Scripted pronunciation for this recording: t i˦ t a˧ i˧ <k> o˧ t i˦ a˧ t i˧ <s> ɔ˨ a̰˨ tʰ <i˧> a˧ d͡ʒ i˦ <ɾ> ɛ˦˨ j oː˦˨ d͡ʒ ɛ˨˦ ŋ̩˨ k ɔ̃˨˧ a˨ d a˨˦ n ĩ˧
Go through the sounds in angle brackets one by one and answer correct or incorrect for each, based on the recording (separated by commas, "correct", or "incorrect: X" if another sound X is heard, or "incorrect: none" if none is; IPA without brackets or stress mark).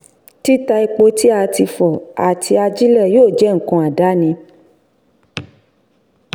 incorrect: k͡p, incorrect: f, correct, incorrect: l